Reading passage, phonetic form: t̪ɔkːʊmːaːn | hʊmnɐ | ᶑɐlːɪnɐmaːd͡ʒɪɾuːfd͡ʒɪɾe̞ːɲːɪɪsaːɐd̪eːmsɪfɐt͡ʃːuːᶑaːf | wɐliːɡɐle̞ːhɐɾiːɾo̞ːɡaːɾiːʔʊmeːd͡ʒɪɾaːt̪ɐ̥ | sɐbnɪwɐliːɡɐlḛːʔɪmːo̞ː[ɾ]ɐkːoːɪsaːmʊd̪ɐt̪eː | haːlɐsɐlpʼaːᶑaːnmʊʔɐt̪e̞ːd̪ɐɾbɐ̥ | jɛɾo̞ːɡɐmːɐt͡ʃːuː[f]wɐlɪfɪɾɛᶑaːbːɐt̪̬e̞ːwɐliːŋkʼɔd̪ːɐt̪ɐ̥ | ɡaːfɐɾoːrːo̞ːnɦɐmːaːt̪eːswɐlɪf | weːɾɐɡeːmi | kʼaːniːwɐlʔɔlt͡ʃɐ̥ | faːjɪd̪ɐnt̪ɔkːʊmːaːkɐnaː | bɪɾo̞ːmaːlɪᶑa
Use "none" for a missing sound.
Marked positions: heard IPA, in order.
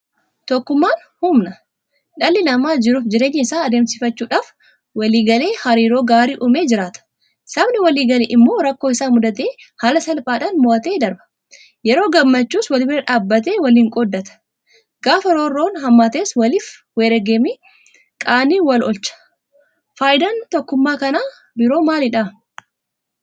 ɾ, s

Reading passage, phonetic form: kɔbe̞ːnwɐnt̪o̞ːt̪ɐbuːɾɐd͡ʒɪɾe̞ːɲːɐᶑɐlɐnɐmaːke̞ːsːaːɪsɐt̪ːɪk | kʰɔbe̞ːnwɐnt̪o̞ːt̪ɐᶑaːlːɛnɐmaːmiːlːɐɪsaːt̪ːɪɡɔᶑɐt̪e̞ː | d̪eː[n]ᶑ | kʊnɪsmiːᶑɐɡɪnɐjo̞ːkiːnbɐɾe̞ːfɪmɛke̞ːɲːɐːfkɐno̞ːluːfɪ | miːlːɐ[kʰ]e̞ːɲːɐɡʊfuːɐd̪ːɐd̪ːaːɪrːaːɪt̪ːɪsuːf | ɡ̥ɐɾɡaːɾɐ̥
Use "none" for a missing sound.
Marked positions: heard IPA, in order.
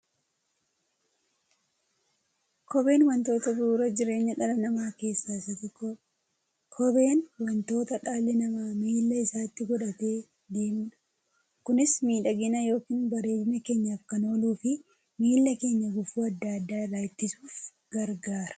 m, k

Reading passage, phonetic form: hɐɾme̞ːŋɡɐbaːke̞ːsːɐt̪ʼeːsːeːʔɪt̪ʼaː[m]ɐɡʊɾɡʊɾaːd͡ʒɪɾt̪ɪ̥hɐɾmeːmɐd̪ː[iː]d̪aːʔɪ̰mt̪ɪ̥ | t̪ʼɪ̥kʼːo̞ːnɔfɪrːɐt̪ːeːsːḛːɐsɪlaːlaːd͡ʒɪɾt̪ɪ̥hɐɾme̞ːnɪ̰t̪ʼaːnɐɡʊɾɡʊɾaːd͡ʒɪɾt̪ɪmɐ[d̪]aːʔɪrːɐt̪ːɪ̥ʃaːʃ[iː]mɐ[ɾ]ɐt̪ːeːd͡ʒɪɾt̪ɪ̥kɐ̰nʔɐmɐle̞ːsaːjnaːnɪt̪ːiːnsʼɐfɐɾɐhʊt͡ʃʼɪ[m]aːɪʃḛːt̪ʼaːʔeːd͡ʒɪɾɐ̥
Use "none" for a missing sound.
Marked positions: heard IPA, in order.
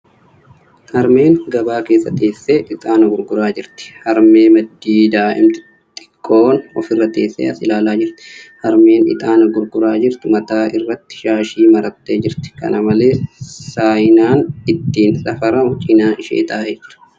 n, iː, t̪, iː, ɾ, n

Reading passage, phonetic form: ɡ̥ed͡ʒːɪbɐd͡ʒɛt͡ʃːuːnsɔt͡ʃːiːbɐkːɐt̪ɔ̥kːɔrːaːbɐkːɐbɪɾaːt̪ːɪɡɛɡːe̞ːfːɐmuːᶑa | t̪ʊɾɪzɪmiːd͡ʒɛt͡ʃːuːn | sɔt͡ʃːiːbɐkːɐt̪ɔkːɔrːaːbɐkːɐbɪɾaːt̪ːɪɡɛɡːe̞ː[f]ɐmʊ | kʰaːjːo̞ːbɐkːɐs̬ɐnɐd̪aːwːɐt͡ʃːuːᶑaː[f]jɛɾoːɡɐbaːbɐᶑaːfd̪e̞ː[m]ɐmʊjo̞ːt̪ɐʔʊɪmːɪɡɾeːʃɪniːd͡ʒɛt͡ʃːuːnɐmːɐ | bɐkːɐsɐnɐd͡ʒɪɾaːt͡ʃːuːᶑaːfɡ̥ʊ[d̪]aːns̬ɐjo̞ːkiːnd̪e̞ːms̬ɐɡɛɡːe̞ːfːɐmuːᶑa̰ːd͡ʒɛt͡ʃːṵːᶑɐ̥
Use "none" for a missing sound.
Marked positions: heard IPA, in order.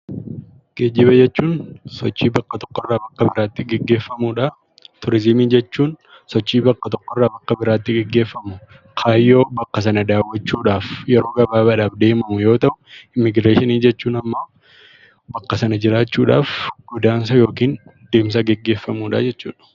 fː, f, m, d̪

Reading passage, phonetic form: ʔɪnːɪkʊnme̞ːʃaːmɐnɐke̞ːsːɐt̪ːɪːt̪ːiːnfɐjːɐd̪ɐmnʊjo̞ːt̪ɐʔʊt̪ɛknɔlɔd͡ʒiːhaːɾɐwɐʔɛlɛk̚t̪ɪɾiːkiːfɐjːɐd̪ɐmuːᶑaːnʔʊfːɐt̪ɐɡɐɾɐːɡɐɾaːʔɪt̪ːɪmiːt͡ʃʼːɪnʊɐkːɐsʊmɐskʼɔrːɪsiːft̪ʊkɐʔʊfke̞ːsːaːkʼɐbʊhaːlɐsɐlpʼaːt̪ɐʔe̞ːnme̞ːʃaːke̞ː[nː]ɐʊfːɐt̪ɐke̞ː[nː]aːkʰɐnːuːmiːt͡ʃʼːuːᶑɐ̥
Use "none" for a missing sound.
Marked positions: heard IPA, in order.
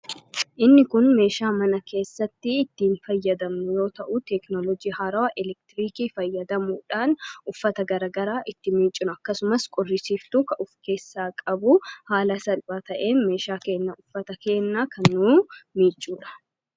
nː, nː

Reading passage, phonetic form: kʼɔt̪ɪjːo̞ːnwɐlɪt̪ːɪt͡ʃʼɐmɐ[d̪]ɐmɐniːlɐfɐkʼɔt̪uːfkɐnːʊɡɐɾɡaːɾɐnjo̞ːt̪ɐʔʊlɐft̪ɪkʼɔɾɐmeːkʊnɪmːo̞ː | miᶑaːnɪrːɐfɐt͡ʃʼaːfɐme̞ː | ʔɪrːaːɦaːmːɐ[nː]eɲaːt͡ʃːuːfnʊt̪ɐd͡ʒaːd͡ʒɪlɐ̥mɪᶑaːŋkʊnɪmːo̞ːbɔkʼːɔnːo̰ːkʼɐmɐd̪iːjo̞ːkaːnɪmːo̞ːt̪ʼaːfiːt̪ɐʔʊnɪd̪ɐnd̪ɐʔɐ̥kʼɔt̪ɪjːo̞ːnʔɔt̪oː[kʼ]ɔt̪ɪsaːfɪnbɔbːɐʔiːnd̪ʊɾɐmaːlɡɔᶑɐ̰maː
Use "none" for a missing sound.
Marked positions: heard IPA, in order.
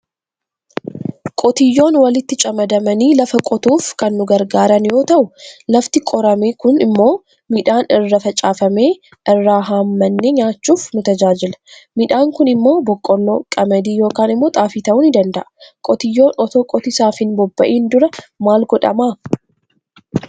d̪, nː, kʼ

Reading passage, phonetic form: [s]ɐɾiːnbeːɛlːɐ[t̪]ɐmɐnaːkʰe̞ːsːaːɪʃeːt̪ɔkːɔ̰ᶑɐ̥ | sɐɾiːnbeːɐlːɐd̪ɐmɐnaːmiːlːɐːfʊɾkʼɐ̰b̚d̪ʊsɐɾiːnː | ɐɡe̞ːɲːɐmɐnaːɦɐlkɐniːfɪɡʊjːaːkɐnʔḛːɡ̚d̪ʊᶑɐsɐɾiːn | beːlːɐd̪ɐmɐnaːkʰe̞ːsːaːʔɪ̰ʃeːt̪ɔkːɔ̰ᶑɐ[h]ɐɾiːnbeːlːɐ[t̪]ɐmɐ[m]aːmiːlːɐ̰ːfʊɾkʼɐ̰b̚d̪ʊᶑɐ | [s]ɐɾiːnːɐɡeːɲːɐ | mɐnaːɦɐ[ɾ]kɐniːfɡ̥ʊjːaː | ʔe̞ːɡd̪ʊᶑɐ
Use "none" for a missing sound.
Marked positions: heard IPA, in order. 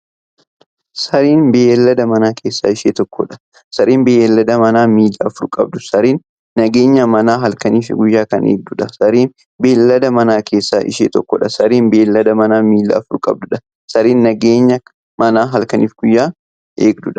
s, d̪, s, d̪, n, s, l

